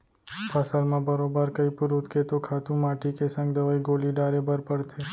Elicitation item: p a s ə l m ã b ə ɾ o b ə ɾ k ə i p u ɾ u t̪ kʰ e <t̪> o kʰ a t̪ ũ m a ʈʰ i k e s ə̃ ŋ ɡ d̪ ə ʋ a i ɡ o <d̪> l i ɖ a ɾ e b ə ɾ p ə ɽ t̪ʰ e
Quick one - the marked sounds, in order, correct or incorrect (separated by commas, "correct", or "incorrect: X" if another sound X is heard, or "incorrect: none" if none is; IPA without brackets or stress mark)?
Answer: correct, incorrect: none